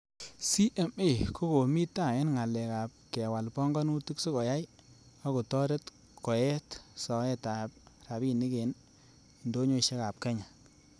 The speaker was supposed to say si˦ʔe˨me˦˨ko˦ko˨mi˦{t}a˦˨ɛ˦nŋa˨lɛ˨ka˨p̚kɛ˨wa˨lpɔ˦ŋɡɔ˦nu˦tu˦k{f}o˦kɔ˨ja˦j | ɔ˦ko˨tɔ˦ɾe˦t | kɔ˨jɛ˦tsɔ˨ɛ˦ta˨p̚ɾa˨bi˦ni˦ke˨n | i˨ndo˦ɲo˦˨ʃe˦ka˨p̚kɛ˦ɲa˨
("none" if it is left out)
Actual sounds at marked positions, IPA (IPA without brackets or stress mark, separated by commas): t, s